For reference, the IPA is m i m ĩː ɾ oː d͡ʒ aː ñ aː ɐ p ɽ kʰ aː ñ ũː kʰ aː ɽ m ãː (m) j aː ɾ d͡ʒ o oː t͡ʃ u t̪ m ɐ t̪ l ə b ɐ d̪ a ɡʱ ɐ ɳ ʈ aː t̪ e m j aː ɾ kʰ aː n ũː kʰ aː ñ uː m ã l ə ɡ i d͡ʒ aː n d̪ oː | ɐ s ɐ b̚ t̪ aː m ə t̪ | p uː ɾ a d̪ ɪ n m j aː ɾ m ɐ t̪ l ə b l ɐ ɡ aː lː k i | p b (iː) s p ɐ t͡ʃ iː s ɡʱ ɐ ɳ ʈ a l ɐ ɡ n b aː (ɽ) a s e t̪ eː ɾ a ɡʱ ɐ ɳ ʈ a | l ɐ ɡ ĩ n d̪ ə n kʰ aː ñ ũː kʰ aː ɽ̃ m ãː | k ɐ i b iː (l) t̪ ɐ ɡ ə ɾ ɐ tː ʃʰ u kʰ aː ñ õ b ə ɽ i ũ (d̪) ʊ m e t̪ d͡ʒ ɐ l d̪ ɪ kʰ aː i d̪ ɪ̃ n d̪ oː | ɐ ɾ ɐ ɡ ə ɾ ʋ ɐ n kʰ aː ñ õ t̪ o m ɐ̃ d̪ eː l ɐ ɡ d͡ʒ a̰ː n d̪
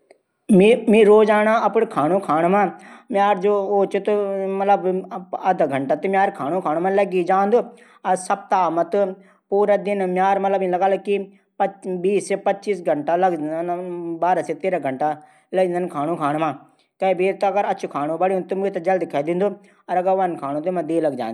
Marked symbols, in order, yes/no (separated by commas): yes, yes, no, no, no